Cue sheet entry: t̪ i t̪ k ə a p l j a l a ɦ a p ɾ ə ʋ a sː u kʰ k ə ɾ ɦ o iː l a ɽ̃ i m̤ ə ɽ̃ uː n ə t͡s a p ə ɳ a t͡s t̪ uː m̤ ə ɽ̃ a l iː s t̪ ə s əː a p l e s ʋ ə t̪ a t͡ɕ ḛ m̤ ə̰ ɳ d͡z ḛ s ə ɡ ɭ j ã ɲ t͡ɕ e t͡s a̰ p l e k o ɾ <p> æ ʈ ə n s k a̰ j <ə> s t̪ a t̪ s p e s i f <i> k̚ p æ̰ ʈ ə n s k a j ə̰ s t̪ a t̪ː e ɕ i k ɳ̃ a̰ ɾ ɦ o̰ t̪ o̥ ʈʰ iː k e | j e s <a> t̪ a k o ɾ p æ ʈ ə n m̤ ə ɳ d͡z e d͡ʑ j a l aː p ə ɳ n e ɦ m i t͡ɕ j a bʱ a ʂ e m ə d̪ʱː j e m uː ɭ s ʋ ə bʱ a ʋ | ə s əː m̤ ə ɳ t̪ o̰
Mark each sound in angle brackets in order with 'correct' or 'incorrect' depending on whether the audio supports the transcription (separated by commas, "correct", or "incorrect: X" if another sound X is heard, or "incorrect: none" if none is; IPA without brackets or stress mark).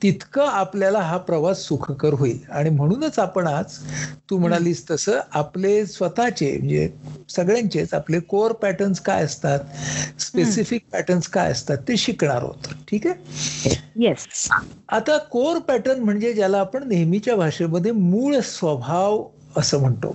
correct, correct, correct, correct